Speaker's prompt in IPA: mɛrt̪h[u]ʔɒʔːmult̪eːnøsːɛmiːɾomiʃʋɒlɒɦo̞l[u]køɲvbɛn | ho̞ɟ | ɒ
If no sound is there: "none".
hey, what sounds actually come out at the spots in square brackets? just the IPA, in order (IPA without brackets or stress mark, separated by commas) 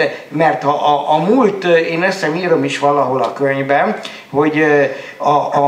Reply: ɒ, ɒ